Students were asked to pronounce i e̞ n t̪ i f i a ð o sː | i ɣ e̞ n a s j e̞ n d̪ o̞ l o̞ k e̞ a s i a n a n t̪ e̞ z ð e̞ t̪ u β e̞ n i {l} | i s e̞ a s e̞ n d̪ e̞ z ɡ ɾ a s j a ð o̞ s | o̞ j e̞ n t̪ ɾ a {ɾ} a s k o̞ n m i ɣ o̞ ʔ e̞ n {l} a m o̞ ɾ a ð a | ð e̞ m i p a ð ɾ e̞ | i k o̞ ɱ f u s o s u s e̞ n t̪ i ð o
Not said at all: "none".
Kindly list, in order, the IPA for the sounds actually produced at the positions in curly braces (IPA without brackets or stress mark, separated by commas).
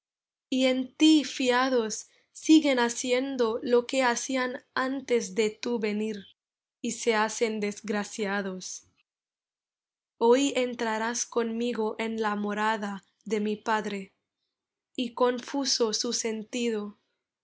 ɾ, ɾ, l